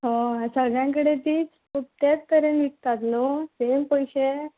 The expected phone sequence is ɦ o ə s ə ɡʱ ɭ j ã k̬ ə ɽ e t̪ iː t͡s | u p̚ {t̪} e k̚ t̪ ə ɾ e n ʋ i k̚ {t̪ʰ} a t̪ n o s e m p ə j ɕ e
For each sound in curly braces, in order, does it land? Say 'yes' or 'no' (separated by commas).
yes, no